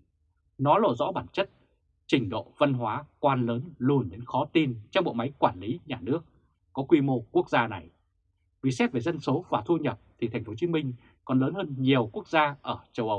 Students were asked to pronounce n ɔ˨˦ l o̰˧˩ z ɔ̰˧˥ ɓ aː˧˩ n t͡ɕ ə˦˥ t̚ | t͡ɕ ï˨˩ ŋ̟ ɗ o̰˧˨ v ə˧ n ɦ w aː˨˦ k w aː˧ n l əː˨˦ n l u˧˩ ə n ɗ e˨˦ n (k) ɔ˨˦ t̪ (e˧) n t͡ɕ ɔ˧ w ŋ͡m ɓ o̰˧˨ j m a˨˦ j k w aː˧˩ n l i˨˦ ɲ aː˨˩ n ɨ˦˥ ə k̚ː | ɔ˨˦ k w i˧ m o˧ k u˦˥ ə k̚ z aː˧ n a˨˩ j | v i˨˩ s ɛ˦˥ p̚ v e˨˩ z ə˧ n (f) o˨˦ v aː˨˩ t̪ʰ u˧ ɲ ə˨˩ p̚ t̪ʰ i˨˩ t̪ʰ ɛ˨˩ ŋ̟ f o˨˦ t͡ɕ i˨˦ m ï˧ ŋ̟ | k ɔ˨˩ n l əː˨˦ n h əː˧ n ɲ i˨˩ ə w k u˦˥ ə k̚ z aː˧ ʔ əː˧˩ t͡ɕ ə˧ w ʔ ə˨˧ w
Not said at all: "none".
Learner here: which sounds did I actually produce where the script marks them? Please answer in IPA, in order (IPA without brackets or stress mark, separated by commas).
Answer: x, i˧, s